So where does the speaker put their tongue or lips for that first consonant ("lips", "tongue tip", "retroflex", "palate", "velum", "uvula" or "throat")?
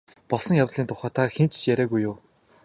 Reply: lips